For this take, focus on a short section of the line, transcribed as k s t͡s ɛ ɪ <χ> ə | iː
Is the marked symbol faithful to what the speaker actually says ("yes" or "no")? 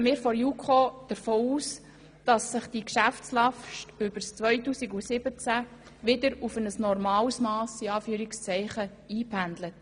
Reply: yes